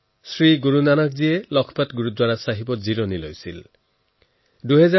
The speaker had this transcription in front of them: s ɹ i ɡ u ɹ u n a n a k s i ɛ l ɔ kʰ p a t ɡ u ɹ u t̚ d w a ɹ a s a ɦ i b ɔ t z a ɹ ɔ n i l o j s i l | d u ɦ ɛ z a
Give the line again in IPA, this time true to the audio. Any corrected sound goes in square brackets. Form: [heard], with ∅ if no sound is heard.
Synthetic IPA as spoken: s ɹ i ɡ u ɹ u n a n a k [z] i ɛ l ɔ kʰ p a t ɡ u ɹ u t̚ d w a ɹ a s a ɦ i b ɔ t z [i] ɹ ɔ n i l o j s i l | d u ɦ ɛ z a